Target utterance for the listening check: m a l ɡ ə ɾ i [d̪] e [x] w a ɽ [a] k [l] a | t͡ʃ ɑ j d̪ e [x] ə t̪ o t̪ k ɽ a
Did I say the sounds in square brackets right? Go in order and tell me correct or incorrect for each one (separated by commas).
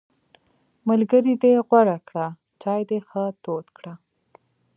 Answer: correct, incorrect, correct, incorrect, correct